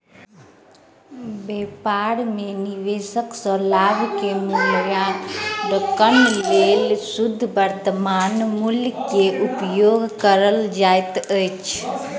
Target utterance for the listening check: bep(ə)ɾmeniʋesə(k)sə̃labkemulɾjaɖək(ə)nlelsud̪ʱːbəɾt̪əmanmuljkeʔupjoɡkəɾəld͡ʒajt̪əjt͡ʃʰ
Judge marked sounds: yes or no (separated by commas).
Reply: no, yes, yes